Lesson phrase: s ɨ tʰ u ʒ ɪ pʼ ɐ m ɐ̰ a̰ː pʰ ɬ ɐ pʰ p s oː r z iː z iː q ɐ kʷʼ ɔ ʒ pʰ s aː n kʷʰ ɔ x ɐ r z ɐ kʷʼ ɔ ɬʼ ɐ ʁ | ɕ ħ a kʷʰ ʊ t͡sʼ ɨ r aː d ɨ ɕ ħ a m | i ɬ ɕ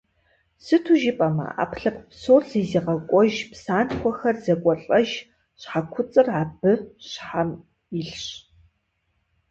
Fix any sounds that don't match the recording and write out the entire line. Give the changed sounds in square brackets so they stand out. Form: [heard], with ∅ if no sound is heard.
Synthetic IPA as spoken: s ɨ tʰ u ʒ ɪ pʼ ɐ m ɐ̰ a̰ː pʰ ɬ ɐ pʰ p s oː r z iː z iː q ɐ kʷʼ ɔ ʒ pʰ s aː n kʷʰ ɔ x ɐ r z ɐ kʷʼ ɔ ɬʼ ɐ [ʒ] | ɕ ħ a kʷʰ ʊ t͡sʼ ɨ r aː [b] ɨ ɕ ħ a m | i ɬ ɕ